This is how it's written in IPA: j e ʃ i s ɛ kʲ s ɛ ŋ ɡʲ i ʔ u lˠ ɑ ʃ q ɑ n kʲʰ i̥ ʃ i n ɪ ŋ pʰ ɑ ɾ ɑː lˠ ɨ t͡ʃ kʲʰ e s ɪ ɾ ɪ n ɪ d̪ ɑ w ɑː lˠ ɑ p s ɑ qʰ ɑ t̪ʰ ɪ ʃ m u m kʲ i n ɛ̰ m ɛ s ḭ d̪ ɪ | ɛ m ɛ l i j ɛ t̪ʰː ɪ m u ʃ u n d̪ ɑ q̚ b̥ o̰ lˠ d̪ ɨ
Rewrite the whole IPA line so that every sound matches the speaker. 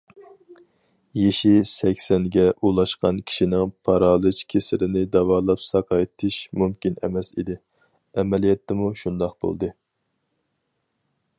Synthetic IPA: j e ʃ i s ɛ kʲ s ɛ n ɡʲ ɛ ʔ u lˠ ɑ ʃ q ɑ n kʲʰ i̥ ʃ i n ɪ ŋ pʰ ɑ ɾ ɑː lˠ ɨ t͡ʃ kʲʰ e s ɪ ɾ ɪ n ɪ d̪ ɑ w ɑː lˠ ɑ p s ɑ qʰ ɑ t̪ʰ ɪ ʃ m u m kʲ i n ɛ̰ m ɛ s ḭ d̪ ɪ | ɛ m ɛ l i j ɛ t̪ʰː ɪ m u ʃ u n d̪ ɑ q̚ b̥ o̰ lˠ d̪ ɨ